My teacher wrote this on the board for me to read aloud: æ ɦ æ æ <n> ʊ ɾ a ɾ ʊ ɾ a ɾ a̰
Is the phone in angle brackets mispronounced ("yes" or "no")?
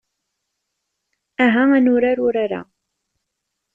no